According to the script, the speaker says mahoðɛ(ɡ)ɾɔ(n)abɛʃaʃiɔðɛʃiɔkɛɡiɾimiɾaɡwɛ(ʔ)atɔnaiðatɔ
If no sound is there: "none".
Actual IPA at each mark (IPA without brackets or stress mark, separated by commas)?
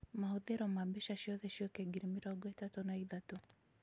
none, m, t